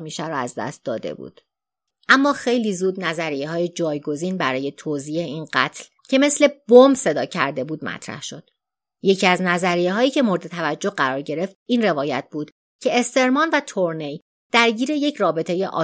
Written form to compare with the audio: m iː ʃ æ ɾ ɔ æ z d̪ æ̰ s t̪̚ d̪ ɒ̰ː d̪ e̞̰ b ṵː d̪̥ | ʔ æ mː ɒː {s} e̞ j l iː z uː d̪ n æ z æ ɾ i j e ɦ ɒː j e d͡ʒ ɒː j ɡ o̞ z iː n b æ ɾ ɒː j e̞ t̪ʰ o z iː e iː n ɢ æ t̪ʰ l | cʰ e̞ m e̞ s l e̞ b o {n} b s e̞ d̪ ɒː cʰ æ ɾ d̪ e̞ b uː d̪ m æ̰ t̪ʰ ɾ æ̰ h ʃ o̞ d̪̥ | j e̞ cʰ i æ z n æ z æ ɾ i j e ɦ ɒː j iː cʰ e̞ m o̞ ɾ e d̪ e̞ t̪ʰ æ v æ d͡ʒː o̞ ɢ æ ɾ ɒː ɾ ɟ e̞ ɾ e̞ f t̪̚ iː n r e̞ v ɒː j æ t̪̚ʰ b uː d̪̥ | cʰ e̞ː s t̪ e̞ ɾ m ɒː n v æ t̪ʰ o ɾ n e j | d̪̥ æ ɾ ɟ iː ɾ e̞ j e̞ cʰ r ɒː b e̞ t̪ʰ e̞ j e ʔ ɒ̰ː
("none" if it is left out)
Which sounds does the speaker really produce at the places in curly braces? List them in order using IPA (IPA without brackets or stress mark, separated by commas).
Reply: x, m